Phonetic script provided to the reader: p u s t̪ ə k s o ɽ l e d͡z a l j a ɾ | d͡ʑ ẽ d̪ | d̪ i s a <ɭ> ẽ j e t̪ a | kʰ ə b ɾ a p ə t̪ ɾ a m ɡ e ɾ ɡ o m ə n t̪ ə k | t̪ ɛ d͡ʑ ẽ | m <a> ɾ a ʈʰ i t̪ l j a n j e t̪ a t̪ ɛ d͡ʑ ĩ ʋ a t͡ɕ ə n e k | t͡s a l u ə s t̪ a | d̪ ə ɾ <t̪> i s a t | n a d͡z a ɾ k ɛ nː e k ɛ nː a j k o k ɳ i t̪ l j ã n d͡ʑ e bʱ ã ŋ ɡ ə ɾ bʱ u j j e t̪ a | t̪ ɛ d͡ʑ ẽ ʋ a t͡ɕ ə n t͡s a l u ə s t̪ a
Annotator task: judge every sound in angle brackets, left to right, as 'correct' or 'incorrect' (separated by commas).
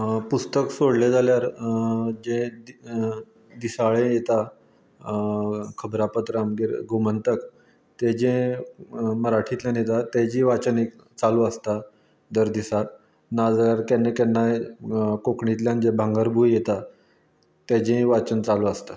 correct, incorrect, incorrect